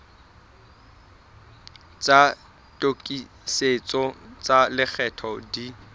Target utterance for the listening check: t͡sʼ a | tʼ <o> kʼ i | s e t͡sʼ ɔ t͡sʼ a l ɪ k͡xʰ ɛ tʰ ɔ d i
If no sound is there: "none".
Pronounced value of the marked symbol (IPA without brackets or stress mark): o